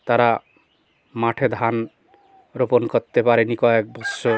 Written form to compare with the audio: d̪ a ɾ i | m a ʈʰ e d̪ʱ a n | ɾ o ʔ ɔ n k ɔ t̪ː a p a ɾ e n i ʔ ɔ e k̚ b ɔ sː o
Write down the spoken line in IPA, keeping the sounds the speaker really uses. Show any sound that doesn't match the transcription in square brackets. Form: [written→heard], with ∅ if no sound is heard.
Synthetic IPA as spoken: [d̪→t̪] a ɾ [i→a] | m a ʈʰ e d̪ʱ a n | ɾ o [ʔ→p] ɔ n k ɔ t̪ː [a→e] p a ɾ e n i [ʔ→k] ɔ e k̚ b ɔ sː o